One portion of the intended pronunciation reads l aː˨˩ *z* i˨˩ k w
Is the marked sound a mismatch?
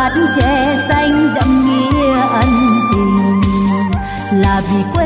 yes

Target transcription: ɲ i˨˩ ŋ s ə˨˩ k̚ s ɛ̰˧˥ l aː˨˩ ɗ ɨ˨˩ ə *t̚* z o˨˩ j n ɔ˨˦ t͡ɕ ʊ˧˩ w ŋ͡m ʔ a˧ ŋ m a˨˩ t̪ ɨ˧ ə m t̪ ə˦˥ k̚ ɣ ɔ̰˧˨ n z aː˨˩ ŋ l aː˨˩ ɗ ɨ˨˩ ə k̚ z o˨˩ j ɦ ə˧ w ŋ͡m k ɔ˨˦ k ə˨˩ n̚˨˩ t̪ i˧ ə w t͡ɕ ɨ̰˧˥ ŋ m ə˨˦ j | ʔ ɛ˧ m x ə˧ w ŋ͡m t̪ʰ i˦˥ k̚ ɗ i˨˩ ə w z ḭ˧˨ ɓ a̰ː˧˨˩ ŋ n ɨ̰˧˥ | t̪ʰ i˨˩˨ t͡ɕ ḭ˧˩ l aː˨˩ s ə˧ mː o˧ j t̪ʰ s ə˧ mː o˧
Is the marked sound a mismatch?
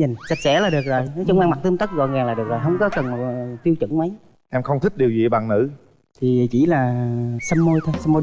yes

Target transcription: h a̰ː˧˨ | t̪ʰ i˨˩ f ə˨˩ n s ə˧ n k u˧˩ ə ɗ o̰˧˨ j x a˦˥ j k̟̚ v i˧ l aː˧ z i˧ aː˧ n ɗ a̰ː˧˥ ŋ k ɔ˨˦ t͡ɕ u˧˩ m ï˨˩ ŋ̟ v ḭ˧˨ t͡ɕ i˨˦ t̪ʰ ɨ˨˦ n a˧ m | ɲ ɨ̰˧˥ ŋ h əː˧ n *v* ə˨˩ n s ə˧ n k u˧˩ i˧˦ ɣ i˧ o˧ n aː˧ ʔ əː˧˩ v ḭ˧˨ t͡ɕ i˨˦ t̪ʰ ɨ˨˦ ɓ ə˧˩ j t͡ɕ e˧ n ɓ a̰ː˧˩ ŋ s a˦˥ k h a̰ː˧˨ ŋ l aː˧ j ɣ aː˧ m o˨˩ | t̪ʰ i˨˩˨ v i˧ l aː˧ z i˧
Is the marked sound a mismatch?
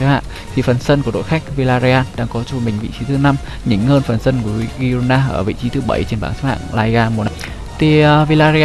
yes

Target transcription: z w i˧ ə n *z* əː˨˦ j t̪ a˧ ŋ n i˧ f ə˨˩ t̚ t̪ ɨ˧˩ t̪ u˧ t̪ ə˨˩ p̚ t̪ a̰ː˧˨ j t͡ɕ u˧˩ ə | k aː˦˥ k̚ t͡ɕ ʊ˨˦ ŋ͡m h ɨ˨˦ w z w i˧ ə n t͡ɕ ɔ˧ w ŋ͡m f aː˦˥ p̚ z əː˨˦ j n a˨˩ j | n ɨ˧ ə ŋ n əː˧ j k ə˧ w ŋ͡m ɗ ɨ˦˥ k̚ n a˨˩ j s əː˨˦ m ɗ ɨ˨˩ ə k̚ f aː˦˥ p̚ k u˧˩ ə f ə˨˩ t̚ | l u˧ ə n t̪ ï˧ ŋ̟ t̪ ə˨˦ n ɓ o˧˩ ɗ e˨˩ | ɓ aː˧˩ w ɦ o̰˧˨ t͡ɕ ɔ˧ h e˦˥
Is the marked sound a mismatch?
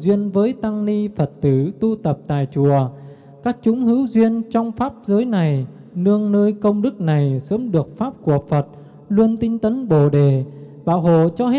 yes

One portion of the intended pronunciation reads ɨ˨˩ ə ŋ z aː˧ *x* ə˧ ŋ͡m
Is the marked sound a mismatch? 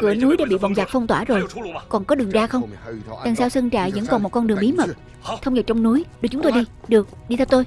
no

